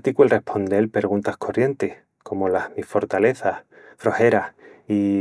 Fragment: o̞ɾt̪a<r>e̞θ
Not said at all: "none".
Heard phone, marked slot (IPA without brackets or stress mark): l